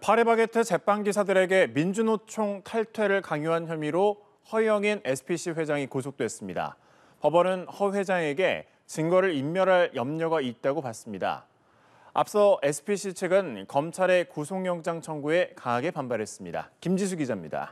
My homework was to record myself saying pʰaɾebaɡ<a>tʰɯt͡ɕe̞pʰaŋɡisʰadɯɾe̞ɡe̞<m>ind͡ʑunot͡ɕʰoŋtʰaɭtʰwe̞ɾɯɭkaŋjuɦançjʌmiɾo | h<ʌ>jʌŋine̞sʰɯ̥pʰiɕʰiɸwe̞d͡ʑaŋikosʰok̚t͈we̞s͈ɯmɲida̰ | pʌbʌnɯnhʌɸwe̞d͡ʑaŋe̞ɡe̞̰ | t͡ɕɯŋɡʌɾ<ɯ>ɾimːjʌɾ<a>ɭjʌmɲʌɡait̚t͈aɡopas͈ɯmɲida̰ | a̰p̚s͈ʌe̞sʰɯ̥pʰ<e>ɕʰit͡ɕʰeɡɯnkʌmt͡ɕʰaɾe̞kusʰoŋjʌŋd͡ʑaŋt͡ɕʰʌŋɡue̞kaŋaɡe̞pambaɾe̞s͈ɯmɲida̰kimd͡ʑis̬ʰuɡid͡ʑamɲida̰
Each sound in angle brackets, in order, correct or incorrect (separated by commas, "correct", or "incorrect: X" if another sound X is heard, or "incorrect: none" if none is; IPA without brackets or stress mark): incorrect: e, correct, correct, correct, correct, incorrect: i